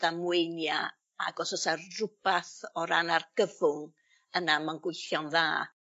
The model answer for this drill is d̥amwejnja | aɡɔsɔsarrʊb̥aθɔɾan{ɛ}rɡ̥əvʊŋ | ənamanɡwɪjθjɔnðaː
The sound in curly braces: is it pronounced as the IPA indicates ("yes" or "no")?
no